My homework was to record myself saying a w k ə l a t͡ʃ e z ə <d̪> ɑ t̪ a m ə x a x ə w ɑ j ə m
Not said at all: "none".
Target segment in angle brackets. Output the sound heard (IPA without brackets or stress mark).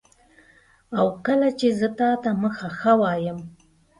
t̪